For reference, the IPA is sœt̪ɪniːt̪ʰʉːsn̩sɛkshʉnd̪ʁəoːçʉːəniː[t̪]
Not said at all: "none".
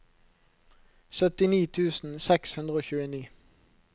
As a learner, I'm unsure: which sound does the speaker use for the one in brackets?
none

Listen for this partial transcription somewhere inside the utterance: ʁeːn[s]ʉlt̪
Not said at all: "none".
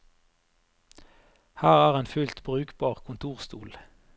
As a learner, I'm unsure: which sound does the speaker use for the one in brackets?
f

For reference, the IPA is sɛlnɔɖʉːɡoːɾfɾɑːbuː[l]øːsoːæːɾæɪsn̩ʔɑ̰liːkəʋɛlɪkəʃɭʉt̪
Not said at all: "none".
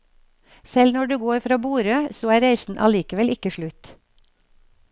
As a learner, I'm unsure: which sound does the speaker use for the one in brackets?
ɾ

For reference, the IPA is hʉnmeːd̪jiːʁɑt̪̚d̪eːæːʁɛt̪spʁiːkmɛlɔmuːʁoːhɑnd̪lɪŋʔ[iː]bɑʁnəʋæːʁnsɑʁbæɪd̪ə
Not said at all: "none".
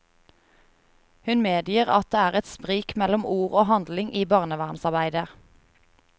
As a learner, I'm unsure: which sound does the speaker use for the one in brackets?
iː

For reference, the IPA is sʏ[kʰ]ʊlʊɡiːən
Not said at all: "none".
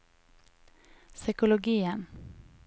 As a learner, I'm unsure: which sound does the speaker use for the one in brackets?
k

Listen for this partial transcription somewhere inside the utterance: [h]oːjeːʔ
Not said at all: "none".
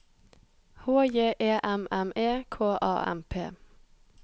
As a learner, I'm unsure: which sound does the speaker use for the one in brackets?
h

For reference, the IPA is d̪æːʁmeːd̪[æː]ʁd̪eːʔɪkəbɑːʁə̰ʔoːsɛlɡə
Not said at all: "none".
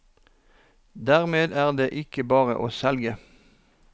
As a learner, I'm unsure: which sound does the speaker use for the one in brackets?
æː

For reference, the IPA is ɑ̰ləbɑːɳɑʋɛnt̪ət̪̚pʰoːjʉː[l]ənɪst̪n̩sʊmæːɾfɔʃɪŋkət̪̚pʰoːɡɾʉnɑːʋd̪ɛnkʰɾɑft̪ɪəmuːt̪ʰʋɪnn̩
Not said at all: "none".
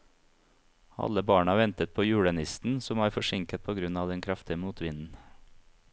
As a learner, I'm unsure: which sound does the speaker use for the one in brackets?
ɽ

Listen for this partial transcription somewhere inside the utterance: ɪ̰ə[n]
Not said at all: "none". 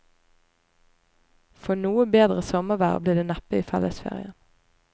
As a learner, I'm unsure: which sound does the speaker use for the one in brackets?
n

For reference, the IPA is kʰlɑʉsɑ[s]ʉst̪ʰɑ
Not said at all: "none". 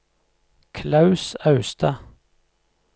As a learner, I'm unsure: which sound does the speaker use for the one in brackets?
none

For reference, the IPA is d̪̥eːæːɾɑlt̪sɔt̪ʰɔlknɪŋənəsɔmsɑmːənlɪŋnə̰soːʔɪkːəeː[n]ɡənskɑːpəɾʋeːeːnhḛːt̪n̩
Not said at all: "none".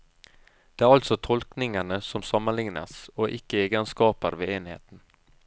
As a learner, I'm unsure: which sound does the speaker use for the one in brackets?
none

